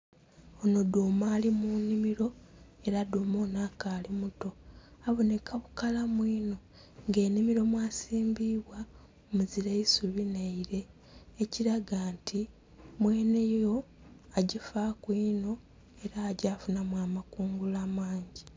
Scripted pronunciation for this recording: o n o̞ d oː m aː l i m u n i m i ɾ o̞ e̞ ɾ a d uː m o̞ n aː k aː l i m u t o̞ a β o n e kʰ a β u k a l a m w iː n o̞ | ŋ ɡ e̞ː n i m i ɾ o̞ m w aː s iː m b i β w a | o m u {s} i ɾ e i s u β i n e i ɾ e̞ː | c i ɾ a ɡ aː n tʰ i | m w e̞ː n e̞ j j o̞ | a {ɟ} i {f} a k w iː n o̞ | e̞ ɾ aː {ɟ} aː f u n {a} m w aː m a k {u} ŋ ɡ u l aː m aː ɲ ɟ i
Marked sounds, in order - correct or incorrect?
incorrect, correct, correct, correct, correct, incorrect

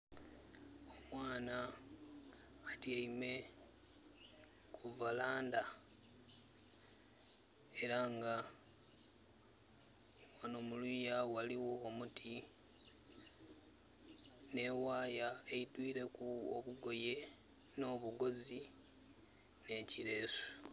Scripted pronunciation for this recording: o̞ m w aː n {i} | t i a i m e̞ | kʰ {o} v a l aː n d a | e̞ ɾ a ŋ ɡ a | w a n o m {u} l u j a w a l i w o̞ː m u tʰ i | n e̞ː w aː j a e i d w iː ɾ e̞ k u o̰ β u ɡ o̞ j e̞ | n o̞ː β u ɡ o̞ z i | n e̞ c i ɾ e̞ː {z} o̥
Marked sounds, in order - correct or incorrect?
incorrect, incorrect, correct, incorrect

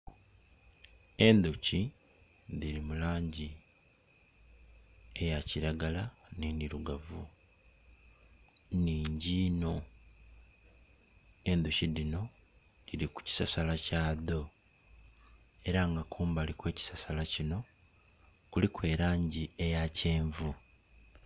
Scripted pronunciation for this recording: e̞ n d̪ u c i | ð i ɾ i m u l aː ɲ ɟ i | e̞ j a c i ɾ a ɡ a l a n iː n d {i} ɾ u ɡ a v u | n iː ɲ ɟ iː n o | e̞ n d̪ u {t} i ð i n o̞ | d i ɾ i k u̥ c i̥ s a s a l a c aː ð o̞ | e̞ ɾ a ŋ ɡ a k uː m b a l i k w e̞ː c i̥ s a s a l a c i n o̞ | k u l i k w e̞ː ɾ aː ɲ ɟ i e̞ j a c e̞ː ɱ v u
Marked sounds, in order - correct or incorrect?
correct, incorrect

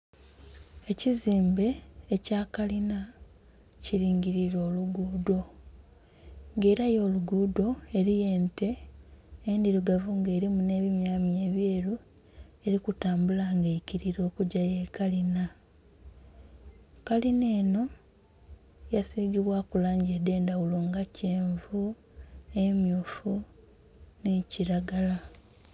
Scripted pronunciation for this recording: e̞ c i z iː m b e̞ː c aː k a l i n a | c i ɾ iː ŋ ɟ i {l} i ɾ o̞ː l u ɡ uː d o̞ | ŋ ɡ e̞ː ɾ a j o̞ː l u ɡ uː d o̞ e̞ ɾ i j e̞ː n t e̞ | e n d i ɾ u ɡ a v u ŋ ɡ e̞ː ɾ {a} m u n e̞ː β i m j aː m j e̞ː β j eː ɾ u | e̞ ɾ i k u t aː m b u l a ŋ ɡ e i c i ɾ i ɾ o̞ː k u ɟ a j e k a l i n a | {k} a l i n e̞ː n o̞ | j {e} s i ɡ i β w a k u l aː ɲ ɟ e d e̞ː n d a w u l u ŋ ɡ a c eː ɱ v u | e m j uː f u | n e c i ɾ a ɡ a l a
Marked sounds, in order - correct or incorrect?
incorrect, incorrect, correct, incorrect

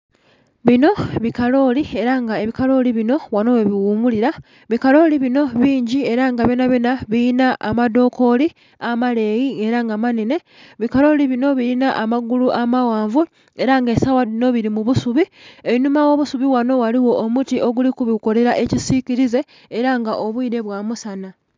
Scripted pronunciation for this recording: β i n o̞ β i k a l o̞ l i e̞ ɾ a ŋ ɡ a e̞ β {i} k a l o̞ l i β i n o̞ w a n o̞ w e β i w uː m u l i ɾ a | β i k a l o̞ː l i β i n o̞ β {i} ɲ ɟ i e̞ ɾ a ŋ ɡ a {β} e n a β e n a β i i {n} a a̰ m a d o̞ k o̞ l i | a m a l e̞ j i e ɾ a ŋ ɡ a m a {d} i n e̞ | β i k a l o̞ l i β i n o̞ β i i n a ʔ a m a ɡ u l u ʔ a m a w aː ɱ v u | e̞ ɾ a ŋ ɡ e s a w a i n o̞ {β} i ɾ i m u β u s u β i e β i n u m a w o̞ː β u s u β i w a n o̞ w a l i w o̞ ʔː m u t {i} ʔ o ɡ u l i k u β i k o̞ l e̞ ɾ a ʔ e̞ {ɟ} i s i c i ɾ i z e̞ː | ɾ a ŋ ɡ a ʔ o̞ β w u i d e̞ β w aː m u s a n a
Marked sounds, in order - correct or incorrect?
correct, incorrect, correct, correct, incorrect, correct, correct, incorrect

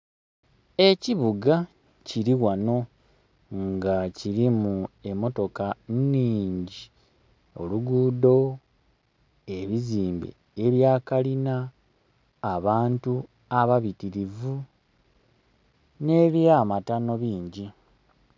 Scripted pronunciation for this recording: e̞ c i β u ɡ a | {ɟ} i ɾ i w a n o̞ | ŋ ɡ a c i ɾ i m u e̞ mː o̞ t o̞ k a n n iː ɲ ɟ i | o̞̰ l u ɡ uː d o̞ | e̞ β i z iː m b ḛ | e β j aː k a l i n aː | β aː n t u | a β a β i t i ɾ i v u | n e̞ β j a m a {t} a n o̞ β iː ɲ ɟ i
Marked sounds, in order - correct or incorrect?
incorrect, correct

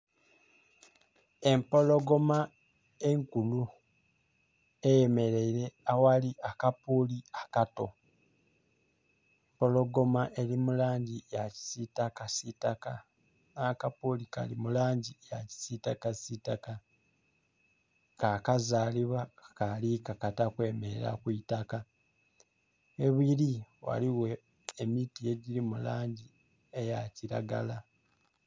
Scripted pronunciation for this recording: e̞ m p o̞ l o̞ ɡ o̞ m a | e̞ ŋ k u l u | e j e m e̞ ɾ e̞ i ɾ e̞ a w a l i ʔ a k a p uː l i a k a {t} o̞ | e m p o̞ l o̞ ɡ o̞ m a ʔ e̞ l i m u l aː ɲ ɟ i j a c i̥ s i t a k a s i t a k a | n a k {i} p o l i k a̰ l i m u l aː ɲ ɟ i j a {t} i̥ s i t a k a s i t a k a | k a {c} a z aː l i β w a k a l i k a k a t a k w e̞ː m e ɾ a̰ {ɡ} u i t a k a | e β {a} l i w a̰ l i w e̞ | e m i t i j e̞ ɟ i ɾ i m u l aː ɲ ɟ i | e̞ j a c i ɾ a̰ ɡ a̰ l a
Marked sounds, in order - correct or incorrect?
correct, incorrect, incorrect, incorrect, incorrect, incorrect

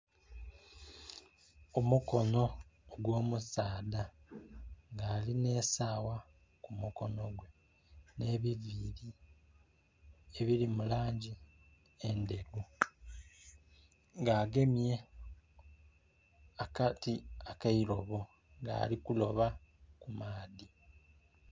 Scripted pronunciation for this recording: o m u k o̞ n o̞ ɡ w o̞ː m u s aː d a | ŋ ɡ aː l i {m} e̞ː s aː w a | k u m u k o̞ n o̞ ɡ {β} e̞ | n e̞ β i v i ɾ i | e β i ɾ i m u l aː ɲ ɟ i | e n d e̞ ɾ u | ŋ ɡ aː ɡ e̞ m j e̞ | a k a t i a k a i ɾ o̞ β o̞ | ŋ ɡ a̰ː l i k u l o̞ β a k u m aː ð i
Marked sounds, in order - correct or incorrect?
incorrect, incorrect

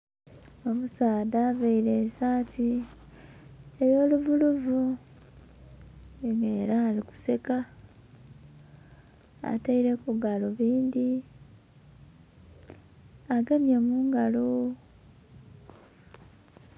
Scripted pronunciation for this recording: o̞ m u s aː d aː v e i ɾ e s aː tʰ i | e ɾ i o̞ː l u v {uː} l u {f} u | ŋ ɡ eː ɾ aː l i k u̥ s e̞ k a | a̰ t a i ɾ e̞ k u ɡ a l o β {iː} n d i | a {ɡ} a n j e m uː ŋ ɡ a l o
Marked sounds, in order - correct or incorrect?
incorrect, incorrect, correct, correct

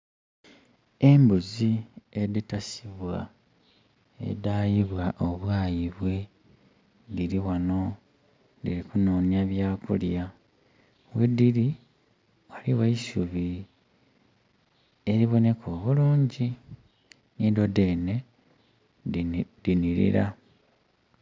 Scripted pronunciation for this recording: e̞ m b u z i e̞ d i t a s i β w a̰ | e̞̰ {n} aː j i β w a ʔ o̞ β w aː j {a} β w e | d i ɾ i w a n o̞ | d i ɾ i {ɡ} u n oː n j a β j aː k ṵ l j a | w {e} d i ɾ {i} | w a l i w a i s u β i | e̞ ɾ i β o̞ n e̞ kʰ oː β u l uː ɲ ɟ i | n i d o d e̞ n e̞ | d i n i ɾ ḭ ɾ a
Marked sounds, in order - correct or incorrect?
incorrect, incorrect, incorrect, correct, correct

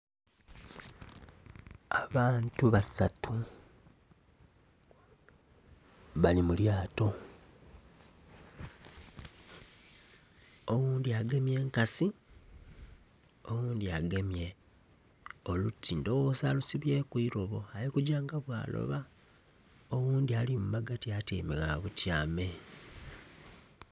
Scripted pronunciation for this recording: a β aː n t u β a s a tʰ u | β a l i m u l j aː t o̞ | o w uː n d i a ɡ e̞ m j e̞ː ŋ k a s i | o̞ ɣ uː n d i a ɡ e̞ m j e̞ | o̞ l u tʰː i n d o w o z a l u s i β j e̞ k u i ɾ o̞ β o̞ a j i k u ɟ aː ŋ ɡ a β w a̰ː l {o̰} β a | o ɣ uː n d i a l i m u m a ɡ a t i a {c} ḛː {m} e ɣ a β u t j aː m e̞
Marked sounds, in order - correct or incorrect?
correct, incorrect, correct

